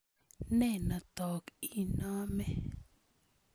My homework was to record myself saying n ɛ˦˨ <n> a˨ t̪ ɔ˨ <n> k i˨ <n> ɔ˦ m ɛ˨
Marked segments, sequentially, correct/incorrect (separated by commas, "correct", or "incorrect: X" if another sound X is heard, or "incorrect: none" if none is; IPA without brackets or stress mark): correct, incorrect: none, correct